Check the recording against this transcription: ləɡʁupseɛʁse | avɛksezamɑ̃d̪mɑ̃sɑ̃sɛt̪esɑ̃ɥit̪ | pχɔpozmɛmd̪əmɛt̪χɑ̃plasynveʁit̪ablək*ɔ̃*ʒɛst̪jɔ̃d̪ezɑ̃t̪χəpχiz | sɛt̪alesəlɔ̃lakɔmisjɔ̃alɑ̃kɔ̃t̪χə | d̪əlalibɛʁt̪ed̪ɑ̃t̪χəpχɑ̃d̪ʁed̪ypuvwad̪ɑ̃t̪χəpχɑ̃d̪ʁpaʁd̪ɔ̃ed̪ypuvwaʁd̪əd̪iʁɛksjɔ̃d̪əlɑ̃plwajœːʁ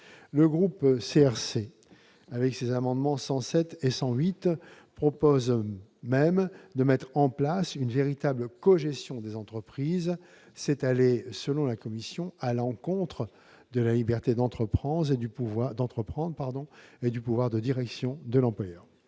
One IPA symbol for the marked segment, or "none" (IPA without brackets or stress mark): ɔ